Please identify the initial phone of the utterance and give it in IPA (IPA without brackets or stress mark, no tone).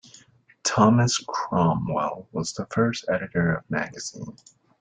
tʰ